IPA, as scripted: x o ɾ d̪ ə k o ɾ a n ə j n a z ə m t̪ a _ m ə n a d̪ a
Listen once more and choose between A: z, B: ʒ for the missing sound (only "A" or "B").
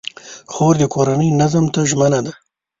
B